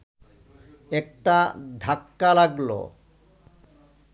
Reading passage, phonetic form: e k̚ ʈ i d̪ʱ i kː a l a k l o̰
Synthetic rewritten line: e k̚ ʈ a d̪ʱ a kː a l a ɡ l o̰

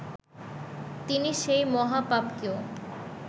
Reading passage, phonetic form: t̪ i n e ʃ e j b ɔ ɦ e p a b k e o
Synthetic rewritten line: t̪ i n i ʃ e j m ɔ ɦ a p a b k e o

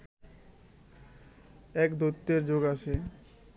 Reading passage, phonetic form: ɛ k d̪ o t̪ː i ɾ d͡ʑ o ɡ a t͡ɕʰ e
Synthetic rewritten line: ɛ k d̪ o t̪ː e ɾ d͡ʑ o ɡ a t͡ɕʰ e

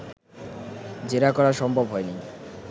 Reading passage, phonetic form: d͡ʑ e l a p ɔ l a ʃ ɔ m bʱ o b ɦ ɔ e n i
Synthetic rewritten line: d͡ʑ e ɾ a k ɔ ɾ a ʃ ɔ m bʱ o b ɦ ɔ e n i

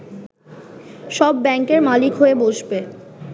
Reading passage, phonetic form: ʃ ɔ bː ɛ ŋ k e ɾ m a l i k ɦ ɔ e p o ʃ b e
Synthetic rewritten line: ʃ ɔ bː ɛ ŋ k e ɾ m a l i k ɦ o e b o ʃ b e

